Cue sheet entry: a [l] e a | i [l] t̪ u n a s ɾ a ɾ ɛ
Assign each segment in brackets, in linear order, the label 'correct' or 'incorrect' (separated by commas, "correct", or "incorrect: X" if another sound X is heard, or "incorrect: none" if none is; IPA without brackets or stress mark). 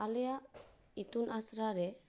correct, incorrect: none